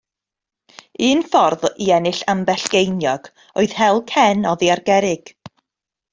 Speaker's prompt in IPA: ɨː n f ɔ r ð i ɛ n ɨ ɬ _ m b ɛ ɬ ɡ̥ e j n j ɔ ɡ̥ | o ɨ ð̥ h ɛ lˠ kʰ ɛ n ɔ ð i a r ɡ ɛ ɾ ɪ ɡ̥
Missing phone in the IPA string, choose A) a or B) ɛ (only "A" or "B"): A